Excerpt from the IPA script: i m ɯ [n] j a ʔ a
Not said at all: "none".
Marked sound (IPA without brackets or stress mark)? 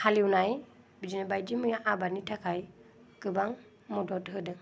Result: none